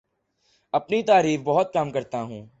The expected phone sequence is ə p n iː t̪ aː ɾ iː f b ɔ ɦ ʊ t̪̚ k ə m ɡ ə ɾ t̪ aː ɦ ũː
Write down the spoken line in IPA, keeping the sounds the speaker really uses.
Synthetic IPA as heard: ə p n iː t̪ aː ɾ iː f b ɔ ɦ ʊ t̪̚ k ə m k ə ɾ t̪ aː ɦ ũː